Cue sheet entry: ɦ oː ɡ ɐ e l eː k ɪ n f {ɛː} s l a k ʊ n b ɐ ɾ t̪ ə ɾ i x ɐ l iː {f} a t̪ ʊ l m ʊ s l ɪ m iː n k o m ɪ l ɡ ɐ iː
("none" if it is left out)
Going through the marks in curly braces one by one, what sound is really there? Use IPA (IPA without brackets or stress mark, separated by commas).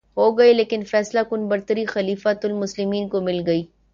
ɛː, f